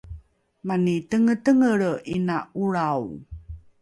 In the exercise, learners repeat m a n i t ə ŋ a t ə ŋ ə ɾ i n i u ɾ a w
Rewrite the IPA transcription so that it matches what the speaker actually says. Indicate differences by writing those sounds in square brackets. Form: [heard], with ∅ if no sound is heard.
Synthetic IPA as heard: m a n i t ə ŋ [ə] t ə ŋ ə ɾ i n [a] u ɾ a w